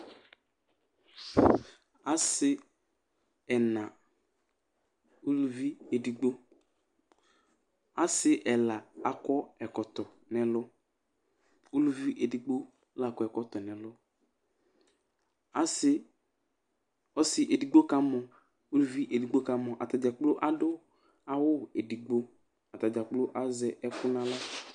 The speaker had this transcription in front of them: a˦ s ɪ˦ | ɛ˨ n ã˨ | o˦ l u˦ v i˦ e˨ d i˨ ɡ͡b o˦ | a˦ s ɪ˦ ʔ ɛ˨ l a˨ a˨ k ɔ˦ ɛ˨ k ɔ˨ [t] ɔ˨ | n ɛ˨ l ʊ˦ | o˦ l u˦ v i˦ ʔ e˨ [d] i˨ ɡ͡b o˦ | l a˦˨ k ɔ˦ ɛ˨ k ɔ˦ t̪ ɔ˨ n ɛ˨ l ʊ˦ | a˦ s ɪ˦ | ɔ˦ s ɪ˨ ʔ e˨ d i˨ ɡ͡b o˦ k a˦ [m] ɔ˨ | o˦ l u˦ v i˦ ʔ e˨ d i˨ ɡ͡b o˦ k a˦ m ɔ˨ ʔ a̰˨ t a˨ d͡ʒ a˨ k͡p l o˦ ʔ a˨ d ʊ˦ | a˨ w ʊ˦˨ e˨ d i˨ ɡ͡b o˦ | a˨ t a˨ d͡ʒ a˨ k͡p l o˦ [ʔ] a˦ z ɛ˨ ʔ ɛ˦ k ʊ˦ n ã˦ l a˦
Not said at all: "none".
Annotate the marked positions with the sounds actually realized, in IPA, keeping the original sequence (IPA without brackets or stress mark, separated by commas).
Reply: t, d, m, ʔ